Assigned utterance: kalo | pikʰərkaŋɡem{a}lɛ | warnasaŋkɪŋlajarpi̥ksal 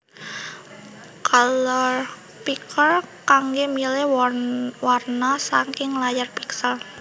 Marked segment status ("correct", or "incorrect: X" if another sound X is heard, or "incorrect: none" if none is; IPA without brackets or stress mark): incorrect: i